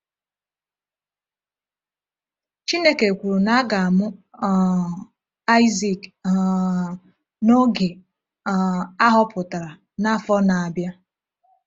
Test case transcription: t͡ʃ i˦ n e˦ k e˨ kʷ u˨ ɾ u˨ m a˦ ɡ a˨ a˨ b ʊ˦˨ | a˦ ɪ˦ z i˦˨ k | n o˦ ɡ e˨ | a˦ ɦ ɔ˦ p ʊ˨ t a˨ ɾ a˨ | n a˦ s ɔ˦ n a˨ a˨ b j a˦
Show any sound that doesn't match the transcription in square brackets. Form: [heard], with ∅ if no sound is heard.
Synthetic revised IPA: t͡ʃ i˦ n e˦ k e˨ kʷ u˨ ɾ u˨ [n] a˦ ɡ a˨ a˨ [m] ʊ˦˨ | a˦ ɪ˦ z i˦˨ k | n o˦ ɡ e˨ | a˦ ɦ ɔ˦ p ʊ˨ t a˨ ɾ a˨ | n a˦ [f] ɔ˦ n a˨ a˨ b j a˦

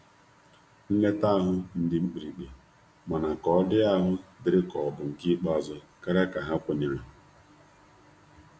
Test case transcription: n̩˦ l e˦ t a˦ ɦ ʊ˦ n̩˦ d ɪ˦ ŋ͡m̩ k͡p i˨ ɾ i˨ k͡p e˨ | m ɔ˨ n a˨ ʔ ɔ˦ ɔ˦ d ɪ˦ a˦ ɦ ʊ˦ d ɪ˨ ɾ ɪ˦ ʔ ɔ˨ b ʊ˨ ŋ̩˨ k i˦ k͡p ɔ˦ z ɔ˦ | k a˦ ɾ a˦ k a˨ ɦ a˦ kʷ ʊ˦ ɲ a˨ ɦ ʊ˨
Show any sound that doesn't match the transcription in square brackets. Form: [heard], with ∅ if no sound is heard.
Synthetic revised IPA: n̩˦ l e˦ t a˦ ɦ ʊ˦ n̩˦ d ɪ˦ ŋ͡m̩ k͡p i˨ ɾ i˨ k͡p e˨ | m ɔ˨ n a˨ [k] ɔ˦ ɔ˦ d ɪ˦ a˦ ɦ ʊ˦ d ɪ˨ ɾ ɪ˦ [k] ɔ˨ b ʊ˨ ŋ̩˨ k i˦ k͡p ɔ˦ z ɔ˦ | k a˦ ɾ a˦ k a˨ ɦ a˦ kʷ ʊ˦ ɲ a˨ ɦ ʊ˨

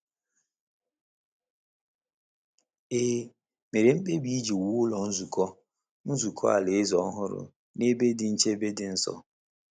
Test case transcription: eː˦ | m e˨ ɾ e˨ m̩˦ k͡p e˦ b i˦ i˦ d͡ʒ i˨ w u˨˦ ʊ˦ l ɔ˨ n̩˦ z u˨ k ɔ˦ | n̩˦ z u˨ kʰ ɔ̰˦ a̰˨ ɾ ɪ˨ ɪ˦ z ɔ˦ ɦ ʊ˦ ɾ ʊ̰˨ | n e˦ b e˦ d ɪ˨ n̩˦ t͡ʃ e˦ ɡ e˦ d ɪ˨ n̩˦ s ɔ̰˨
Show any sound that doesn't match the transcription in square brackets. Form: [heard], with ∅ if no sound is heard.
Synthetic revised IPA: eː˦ | m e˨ ɾ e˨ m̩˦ k͡p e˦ b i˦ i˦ d͡ʒ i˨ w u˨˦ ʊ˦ l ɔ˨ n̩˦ z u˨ k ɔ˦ | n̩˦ z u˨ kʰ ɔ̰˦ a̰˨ [l] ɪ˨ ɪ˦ z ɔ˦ ɦ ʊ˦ ɾ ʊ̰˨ | n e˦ b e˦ d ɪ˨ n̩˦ t͡ʃ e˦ [b] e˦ d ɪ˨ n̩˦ s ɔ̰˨

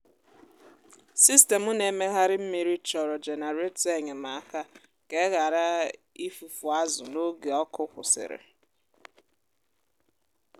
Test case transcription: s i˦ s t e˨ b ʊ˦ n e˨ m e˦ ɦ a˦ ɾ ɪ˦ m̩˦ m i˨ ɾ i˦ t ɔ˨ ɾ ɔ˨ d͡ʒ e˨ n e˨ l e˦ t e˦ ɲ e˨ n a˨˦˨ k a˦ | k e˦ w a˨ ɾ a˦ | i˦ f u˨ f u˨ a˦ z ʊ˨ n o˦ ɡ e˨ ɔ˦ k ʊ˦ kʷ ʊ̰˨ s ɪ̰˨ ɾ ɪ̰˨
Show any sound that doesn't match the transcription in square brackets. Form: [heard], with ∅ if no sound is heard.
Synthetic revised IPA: s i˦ s t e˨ [m] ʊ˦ n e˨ m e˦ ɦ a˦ ɾ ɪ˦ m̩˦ m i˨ ɾ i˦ [t͡ʃ] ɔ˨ ɾ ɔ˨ d͡ʒ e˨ n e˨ [ɾ] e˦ t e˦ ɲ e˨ [m] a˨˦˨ k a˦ | k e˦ [ɣ] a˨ ɾ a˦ | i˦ f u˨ f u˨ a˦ z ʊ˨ n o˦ ɡ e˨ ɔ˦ k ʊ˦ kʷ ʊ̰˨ s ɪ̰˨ ɾ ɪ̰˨

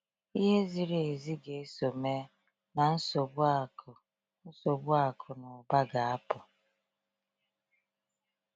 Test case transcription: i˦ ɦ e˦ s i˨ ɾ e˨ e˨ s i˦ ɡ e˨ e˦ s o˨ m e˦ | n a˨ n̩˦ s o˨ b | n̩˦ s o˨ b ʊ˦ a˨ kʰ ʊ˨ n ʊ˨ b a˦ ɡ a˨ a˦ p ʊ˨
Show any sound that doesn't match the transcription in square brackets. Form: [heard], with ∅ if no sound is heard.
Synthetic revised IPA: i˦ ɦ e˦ [z] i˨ ɾ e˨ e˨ [z] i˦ ɡ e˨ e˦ s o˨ m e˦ | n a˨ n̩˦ s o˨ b | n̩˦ s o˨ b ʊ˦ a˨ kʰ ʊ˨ n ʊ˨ b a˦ ɡ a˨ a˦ p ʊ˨

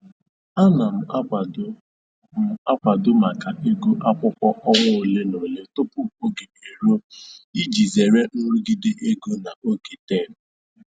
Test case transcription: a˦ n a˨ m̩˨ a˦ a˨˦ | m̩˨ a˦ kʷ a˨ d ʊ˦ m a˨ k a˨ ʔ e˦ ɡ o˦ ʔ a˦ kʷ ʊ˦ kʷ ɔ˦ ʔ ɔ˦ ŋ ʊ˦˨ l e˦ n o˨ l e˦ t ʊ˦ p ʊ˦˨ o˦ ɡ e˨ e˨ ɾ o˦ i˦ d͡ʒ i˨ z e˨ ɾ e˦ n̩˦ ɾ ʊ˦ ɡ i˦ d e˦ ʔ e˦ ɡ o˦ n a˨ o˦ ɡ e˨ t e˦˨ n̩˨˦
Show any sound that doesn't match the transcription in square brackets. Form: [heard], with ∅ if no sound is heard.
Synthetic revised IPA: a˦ n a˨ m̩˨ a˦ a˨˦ | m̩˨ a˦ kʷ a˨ d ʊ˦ m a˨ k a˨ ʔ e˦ ɡ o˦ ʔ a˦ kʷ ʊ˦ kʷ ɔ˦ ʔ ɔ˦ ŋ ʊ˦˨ l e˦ n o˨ l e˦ t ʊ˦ p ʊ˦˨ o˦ ɡ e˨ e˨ ɾ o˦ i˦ d͡ʒ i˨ z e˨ ɾ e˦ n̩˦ ɾ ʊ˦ ɡ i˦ d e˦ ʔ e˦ ɡ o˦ n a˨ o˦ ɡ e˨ t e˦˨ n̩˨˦

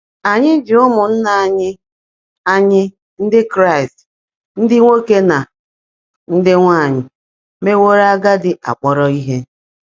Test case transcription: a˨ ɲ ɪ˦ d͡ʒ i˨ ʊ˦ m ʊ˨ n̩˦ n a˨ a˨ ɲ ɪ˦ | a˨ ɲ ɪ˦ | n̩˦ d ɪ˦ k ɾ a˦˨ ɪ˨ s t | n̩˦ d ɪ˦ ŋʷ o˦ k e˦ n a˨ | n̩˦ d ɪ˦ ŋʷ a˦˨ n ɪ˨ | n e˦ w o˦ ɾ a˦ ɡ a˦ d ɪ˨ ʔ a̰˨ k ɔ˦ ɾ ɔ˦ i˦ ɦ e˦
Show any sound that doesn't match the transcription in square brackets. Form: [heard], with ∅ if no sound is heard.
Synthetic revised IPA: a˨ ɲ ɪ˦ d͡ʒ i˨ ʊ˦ m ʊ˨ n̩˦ n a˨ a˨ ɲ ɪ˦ | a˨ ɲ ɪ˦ | n̩˦ d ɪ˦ k ɾ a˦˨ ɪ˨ s t | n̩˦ d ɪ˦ ŋʷ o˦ k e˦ n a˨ | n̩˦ d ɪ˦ ŋʷ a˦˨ [ɲ] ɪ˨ | [m] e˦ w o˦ ɾ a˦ ɡ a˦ d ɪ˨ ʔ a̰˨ [k͡p] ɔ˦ ɾ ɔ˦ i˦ ɦ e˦

